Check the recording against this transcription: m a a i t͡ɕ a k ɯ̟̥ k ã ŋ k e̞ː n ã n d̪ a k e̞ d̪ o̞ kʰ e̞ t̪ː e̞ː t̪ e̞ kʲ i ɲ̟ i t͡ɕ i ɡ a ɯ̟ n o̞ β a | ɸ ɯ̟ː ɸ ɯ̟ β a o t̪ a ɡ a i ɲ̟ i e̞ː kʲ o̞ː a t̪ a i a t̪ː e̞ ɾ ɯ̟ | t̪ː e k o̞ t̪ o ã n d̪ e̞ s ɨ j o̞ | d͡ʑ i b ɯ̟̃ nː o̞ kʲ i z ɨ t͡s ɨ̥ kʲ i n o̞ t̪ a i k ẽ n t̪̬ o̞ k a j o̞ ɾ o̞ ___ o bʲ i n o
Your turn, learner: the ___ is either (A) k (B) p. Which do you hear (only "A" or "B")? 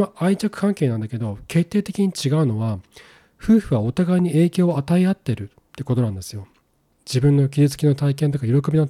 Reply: A